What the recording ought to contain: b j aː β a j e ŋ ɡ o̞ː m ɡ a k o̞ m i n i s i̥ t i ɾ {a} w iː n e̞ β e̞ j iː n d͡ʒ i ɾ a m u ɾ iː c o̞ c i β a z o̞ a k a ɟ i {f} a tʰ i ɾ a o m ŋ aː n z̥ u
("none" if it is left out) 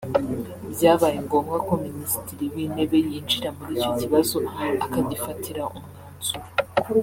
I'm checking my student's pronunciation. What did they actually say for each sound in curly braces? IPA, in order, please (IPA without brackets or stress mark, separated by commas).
i, f